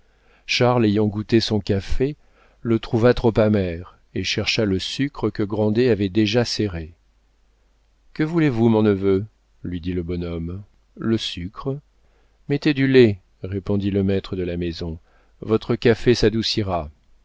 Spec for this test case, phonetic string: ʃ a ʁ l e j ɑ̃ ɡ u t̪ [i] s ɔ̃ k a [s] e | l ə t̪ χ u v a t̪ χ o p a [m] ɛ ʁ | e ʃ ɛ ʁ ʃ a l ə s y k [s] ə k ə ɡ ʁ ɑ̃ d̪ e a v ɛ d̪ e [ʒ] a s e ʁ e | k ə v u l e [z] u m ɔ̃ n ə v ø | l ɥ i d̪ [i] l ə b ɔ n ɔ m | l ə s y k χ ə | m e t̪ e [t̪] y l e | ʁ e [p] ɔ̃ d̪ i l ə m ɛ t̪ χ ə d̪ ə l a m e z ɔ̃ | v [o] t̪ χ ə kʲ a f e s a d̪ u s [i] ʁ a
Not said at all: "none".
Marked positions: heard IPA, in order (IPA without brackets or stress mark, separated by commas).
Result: e, f, m, χ, ʒ, v, i, d̪, p, ɔ, i